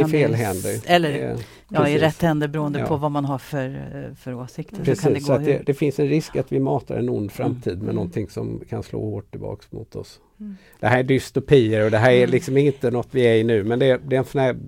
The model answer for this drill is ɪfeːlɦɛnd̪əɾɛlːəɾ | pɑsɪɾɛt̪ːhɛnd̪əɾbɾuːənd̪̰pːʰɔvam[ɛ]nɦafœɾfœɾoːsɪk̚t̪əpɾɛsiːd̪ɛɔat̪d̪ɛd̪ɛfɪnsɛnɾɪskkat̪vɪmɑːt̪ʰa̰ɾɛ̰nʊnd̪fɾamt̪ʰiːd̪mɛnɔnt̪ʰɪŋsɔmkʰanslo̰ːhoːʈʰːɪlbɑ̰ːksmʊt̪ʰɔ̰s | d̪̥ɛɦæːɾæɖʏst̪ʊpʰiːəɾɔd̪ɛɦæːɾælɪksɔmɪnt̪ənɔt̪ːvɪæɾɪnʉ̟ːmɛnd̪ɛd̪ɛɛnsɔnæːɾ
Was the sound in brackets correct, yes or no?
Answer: no